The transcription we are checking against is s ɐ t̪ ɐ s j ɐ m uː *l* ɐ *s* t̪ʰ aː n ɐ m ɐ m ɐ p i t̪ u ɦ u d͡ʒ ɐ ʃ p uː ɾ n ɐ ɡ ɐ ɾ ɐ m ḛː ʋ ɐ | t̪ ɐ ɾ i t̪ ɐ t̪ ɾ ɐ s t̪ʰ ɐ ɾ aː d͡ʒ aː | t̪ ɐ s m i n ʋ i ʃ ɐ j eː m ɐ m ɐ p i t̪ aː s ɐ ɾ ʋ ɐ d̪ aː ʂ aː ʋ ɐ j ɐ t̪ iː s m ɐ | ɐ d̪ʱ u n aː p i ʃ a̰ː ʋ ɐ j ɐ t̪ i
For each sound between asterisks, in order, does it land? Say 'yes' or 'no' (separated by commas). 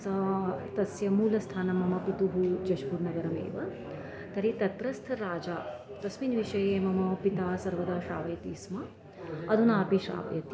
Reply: yes, yes